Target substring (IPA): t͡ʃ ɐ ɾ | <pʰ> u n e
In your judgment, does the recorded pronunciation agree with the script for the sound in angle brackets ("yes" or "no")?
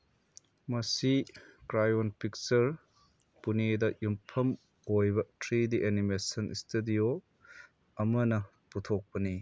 no